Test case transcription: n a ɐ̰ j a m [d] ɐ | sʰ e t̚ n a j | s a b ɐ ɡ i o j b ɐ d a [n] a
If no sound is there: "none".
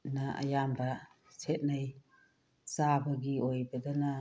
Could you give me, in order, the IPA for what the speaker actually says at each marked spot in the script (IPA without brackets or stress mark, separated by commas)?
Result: b, n